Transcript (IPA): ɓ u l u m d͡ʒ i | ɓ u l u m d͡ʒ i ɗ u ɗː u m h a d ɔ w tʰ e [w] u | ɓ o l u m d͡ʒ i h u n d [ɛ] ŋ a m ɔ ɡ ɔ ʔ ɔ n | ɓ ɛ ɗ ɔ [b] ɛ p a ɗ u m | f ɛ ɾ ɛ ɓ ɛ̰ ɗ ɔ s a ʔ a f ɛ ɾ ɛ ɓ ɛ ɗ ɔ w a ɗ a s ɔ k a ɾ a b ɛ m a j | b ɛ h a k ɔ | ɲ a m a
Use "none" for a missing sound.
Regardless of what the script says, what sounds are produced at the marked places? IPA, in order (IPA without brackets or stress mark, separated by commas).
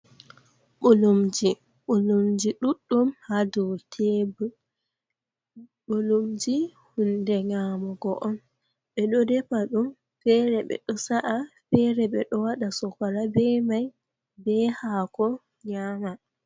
b, ɛ, d